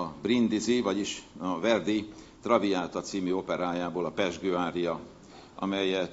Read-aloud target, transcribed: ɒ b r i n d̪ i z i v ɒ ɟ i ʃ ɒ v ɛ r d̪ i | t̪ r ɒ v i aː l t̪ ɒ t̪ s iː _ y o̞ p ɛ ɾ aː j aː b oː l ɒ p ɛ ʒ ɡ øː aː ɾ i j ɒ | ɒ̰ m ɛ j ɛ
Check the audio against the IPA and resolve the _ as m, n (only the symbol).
m